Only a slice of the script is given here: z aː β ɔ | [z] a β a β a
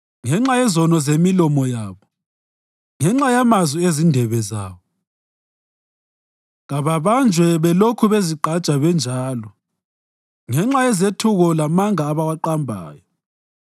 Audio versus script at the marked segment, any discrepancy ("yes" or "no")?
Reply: yes